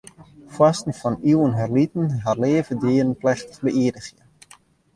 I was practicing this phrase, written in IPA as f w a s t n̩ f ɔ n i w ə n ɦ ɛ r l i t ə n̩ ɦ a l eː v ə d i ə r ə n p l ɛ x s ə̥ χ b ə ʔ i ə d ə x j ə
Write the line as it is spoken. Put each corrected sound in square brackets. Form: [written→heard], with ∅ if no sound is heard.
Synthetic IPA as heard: f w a s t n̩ f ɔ n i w ə n ɦ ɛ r l i t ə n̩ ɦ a l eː v ə d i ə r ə n p l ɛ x [s→t] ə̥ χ b ə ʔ i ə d ə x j ə